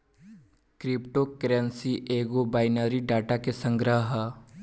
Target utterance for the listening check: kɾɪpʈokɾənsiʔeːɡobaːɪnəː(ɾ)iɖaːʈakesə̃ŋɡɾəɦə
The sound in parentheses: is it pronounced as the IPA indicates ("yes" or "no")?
yes